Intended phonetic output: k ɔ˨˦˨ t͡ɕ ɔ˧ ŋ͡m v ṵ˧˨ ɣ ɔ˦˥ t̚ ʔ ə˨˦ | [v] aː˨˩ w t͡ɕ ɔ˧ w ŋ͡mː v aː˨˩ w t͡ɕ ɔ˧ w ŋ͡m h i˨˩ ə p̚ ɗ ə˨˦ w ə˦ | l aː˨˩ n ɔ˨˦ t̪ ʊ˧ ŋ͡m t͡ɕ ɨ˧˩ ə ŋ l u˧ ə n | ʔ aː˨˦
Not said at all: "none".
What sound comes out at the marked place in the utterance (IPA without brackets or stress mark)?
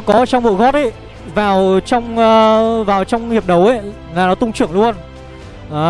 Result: v